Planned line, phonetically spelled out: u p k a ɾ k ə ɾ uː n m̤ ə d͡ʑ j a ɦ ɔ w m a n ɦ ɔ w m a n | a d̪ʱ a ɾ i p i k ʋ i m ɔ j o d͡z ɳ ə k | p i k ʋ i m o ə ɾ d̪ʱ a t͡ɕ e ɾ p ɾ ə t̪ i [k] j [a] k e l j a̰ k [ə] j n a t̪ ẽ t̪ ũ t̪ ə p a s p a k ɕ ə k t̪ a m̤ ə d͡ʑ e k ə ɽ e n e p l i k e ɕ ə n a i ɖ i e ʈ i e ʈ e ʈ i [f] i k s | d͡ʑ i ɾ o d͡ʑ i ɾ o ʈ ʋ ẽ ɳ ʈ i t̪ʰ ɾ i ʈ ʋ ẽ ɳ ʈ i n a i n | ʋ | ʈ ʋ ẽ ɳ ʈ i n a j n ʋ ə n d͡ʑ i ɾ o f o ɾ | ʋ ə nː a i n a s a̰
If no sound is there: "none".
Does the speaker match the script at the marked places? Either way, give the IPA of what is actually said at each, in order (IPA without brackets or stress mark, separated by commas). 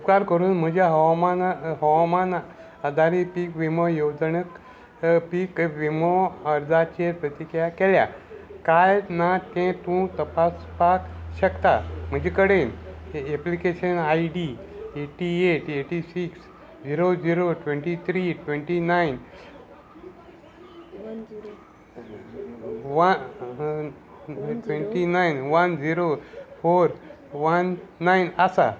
k, a, a, s